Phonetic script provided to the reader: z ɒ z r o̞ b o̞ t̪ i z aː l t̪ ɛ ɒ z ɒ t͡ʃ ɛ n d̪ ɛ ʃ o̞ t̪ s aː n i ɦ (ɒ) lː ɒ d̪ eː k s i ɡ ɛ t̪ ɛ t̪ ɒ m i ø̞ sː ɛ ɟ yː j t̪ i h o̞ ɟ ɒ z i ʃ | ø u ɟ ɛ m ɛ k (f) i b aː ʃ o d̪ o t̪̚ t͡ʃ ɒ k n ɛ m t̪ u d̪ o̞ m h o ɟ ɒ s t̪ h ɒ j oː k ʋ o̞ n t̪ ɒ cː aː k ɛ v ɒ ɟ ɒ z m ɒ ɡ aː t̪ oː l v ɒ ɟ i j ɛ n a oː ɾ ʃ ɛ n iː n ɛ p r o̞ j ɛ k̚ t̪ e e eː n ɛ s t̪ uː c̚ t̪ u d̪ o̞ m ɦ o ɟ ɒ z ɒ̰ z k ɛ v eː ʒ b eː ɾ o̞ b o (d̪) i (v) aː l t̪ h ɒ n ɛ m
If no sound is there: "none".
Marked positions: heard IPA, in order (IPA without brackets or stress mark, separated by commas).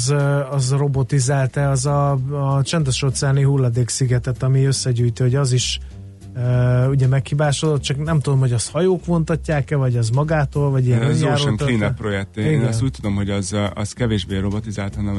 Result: u, h, t̪, z